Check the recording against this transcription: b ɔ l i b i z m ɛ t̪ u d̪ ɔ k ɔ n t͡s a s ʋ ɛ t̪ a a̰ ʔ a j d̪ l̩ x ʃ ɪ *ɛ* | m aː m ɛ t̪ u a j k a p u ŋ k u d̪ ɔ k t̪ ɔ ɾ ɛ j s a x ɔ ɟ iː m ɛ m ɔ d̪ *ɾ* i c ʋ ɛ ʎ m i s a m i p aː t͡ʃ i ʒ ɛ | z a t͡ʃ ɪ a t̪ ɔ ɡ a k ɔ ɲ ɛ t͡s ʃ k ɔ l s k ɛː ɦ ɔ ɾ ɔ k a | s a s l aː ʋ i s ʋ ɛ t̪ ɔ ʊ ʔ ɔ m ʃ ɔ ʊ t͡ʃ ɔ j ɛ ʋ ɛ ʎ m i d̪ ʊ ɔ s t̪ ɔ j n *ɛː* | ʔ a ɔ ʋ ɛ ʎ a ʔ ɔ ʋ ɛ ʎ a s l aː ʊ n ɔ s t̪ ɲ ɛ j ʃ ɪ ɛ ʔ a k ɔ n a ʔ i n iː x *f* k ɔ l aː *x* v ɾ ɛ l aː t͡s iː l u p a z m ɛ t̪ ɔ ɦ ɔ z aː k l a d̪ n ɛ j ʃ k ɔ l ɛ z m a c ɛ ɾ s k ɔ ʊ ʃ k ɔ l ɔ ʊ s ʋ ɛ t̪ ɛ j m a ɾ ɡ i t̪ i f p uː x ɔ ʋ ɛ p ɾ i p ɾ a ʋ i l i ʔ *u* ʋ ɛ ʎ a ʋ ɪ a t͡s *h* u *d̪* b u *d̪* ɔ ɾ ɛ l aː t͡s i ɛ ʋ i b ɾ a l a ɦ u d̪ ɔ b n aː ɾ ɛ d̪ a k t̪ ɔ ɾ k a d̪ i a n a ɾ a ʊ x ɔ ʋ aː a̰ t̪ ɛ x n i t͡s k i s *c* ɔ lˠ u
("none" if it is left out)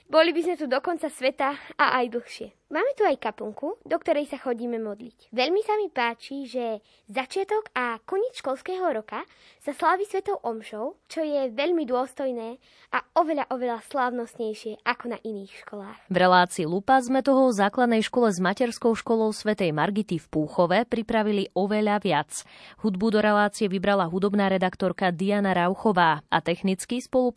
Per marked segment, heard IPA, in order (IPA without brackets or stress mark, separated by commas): ɛ, l, ɛː, ʃ, x, ɔ, h, d̪, d̪, p